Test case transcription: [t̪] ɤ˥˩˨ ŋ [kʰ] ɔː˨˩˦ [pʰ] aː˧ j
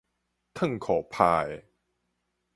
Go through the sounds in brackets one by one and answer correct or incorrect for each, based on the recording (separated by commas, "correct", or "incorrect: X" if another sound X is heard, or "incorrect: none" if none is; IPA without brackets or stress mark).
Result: incorrect: t̪ʰ, correct, correct